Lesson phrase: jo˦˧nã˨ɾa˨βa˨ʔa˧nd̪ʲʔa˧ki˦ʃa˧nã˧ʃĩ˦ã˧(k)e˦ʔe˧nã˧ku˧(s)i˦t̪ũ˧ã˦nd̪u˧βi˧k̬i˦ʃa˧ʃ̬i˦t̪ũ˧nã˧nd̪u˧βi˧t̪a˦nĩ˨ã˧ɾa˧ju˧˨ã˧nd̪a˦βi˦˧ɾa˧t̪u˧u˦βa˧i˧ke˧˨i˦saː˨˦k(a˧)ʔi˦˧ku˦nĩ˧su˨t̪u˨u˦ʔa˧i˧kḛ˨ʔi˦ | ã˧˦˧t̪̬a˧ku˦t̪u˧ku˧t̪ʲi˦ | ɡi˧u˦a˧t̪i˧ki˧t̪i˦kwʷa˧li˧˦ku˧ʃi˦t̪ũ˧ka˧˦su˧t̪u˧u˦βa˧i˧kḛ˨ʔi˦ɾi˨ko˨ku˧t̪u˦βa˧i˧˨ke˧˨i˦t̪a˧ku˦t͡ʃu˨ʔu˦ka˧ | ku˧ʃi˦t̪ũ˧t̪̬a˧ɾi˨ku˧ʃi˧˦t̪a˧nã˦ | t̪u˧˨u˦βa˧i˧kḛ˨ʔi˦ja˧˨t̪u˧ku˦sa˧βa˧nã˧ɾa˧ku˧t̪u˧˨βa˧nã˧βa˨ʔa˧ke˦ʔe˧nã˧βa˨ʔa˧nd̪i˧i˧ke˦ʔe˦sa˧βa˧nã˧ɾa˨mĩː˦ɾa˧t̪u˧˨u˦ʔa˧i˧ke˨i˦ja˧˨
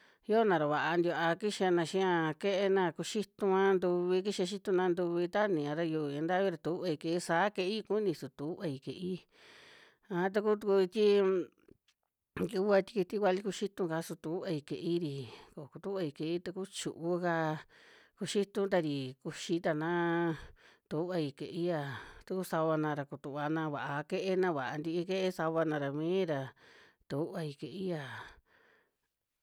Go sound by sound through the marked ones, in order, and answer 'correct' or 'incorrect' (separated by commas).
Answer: correct, incorrect, incorrect